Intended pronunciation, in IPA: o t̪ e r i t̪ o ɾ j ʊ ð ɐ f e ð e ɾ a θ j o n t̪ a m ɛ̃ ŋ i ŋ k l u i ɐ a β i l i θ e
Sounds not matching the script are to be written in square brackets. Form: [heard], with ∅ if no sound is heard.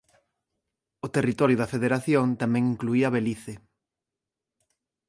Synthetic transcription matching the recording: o t̪ e r i t̪ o ɾ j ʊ ð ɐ f e ð e ɾ a θ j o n t̪ a m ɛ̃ ŋ i ŋ k l u i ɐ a β [e] l i θ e